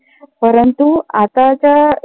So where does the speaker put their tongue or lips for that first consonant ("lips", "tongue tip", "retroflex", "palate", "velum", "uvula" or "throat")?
lips